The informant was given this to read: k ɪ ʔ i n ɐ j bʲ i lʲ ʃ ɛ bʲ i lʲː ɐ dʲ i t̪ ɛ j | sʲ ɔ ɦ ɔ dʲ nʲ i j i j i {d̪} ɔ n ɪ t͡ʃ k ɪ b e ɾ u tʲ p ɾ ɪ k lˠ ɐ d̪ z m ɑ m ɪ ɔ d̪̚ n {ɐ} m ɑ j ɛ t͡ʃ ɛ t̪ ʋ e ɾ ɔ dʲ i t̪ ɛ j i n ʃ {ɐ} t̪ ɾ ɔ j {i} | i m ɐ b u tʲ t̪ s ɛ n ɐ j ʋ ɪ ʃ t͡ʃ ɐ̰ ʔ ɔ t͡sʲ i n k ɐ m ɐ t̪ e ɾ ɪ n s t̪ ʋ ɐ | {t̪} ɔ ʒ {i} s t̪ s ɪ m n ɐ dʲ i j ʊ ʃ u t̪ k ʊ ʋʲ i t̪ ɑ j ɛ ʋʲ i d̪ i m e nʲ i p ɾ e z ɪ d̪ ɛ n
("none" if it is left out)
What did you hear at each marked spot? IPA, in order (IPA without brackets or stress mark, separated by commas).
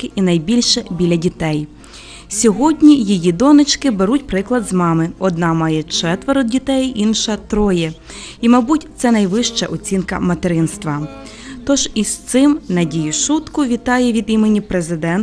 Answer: d̪, ɑ, ɐ, ɛ, t̪, i